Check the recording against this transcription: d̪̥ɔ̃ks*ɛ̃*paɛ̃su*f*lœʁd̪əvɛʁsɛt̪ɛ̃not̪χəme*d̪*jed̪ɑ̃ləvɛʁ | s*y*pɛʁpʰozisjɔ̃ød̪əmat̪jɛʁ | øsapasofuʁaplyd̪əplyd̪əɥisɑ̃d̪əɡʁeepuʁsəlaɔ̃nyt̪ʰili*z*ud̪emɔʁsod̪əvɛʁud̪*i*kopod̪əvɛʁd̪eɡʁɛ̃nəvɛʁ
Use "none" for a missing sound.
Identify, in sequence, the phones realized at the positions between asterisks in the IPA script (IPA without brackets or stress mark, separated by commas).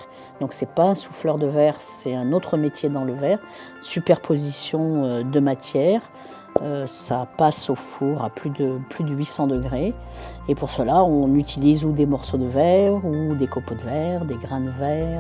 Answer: ɛ, f, t̪, y, z, e